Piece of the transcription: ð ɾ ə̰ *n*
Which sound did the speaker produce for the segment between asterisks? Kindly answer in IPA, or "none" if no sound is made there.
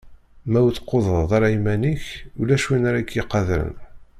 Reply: n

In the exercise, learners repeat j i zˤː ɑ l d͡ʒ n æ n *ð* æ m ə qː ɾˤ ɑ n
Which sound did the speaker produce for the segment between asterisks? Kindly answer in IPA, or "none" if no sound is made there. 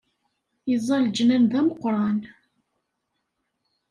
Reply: ð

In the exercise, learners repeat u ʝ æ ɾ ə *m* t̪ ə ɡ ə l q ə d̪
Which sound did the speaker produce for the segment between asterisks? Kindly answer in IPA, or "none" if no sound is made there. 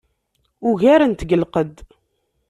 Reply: n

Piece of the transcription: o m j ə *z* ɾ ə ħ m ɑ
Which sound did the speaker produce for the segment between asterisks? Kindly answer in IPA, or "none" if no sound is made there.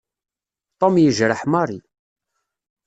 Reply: ʒ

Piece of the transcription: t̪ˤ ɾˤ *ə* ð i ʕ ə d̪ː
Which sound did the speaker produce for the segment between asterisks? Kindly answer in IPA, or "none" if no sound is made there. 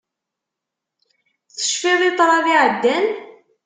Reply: ɑ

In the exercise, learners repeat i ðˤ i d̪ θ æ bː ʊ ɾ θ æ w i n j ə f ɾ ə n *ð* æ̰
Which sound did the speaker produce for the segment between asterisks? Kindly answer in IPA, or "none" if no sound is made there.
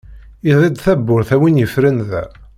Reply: ð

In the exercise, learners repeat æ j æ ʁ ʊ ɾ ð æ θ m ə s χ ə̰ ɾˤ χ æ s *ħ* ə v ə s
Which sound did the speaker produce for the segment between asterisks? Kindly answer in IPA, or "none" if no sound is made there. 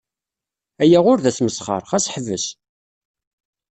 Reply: ħ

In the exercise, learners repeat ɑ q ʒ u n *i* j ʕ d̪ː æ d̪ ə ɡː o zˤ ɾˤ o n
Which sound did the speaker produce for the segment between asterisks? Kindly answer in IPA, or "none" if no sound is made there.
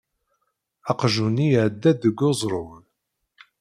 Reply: i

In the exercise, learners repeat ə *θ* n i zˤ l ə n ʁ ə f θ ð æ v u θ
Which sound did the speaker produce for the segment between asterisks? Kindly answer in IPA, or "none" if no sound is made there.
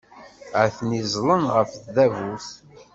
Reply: θ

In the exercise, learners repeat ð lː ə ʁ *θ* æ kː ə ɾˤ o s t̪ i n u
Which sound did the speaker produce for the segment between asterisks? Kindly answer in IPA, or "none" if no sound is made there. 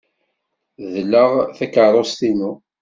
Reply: θ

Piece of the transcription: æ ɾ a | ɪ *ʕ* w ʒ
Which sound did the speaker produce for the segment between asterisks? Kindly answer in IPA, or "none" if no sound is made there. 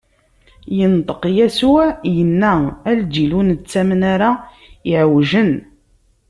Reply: ʕ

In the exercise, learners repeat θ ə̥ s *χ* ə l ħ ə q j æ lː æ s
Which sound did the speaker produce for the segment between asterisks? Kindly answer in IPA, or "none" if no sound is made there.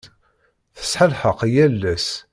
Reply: ħ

